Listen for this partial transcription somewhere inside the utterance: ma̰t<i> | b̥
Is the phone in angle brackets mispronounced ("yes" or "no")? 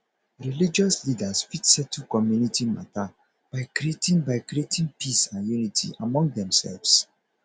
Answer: yes